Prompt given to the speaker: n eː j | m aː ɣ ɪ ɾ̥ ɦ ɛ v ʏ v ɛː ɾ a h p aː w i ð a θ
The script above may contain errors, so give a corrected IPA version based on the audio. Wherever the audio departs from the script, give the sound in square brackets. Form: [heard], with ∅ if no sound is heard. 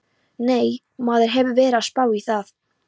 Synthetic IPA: n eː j | m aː [ð] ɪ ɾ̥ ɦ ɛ v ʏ v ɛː ɾ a [s] p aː w i [θ] a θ